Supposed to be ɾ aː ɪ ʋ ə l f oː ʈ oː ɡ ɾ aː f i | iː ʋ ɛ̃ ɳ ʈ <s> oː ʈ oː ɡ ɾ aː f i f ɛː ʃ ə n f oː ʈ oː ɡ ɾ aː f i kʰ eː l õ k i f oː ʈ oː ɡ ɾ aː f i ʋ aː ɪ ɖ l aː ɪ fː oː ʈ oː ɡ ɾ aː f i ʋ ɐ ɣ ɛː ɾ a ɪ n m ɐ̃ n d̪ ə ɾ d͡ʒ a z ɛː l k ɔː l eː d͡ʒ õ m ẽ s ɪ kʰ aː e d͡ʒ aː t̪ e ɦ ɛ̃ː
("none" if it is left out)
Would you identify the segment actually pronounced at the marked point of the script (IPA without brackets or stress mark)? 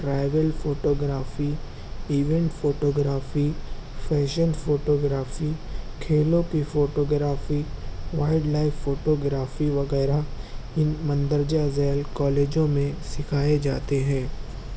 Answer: f